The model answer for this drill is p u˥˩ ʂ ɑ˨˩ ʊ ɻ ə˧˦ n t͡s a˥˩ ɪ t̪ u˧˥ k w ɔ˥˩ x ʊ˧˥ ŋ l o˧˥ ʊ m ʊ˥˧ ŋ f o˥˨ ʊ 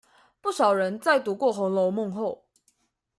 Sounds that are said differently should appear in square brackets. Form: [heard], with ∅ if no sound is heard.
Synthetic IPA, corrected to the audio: p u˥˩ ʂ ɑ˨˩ ʊ ɻ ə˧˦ n t͡s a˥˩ ɪ t̪ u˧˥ k w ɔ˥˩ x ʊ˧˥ ŋ l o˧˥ ʊ m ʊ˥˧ ŋ [x] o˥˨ ʊ